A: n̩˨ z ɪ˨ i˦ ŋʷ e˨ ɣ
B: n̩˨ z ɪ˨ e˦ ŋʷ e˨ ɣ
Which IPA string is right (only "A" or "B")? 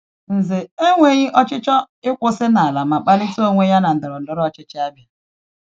B